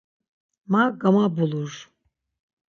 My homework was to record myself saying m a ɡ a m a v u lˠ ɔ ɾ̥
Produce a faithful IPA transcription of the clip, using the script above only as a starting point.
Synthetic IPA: m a ɡ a m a b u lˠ u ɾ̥